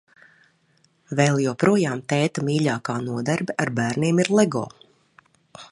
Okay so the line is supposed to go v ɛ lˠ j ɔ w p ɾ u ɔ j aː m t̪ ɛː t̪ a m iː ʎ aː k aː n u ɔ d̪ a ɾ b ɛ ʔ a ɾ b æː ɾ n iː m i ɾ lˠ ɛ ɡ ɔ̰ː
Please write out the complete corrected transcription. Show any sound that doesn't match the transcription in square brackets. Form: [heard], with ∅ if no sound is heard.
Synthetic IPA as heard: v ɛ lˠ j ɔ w p ɾ u ɔ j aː m t̪ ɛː t̪ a m iː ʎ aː k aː n u ɔ d̪ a ɾ b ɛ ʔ a ɾ b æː ɾ n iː m i ɾ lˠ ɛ ɡ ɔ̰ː